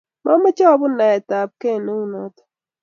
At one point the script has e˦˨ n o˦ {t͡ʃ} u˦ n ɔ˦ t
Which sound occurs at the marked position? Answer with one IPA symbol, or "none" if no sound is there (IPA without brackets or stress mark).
none